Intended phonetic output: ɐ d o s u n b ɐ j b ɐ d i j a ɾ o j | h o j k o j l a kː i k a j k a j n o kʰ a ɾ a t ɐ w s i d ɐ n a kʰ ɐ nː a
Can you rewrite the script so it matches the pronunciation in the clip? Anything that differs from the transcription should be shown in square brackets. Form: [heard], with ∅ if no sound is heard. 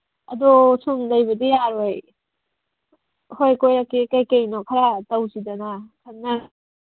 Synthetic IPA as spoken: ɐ d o s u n [d] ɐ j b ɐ d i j a ɾ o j | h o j k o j [ɾ] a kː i k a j k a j n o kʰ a ɾ a t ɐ w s i d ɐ n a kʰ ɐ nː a